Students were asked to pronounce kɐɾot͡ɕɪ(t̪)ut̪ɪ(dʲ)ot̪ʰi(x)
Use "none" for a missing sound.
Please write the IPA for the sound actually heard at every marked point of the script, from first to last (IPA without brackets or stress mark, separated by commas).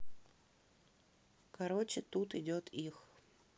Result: t̪, dʲ, x